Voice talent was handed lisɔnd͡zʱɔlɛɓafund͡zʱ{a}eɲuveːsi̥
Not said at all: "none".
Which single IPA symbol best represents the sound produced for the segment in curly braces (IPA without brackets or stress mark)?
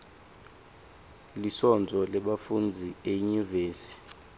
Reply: i